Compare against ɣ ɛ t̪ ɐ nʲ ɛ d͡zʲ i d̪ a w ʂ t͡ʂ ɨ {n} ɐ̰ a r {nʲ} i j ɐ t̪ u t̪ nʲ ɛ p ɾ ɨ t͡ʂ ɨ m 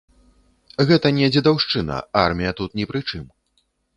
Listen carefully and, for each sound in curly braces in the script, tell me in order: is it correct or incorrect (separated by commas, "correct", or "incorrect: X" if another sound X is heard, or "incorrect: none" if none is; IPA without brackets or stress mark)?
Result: correct, incorrect: mʲ